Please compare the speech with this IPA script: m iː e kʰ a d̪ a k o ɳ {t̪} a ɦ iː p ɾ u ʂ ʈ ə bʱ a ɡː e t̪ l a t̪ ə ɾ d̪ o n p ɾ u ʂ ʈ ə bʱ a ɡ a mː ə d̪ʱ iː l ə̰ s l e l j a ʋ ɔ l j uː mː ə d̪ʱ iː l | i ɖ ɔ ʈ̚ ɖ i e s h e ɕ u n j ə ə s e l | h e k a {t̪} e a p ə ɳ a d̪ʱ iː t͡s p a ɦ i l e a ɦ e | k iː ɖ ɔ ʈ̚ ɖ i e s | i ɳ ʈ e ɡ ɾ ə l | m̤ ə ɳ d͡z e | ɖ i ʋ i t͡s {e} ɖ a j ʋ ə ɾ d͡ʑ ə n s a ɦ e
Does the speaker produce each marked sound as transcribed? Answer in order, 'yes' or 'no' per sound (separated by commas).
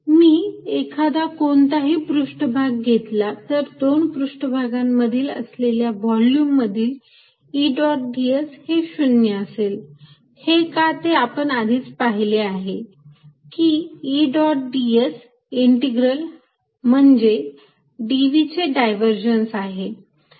yes, yes, yes